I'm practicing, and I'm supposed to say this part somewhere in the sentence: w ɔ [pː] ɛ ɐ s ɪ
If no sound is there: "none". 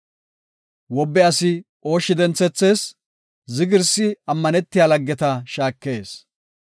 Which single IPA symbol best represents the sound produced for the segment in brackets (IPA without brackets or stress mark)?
bː